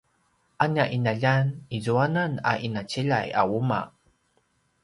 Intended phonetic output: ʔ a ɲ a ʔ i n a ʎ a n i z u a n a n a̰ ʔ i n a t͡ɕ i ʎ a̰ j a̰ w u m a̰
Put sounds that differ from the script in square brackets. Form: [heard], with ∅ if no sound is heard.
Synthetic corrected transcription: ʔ a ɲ a ʔ i n a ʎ a n i z u a n a n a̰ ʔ i n a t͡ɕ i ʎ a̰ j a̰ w u m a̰